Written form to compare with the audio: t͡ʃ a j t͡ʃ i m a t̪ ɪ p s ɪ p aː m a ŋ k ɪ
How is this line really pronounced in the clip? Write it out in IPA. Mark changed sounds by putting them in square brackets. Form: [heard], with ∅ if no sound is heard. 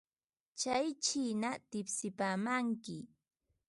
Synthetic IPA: t͡ʃ a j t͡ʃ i [n] a t̪ ɪ p s ɪ p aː m a ŋ k ɪ